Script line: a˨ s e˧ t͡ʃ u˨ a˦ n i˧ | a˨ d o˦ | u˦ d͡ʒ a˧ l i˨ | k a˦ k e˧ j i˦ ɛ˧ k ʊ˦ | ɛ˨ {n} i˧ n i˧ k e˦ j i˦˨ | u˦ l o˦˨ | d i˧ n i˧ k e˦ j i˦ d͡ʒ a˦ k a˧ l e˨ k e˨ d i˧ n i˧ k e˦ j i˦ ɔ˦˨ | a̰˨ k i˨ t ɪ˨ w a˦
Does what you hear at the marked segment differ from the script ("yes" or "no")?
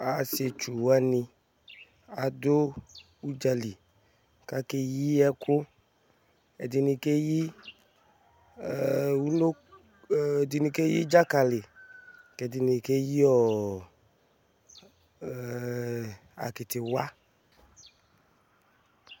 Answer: yes